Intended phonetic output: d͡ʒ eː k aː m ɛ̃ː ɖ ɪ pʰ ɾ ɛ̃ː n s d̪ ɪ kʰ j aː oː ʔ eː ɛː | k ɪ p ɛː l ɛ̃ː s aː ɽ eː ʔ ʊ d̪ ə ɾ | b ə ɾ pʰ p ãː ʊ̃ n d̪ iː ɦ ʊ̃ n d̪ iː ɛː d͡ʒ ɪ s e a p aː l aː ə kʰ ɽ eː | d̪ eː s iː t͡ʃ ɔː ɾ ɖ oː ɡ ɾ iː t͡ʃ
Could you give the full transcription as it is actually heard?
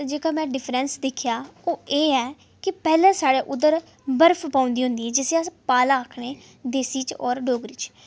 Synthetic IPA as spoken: d͡ʒ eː k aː m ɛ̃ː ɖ ɪ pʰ ɾ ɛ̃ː n s d̪ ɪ kʰ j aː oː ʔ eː ɛː | k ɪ p ɛː l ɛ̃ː s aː ɽ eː ʔ ʊ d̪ ə ɾ | b ə ɾ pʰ p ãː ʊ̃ n d̪ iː ɦ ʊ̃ n d̪ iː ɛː d͡ʒ ɪ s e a p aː l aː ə kʰ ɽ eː | d̪ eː s iː t͡ʃ ɔː ɾ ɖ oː ɡ ɾ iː t͡ʃ